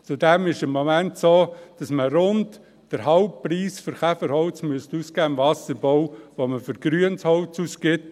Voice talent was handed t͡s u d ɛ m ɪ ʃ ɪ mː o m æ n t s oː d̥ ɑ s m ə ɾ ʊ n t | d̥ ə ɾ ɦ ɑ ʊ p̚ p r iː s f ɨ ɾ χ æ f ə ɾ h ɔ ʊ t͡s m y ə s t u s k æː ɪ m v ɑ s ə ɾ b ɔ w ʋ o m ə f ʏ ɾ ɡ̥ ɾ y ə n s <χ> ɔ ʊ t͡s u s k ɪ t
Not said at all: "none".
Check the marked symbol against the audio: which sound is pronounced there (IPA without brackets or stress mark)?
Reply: h